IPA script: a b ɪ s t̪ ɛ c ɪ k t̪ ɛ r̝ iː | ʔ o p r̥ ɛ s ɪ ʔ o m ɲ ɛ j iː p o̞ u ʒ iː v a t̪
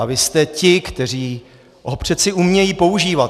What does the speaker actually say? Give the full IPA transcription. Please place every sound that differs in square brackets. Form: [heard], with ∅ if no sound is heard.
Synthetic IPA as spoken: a [v] ɪ s t̪ ɛ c ɪ k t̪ ɛ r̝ iː | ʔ o p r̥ ɛ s ɪ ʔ [u] m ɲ ɛ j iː p o̞ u ʒ iː v a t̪